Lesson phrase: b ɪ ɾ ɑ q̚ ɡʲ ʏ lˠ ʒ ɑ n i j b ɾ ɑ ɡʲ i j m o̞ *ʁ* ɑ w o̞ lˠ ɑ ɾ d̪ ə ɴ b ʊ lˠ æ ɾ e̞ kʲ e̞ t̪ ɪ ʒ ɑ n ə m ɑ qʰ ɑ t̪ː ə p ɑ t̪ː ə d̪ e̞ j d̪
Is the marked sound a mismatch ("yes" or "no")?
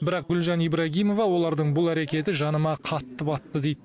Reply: yes